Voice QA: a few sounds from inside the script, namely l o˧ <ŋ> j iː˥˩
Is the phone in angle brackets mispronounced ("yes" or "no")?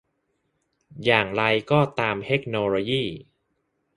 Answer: yes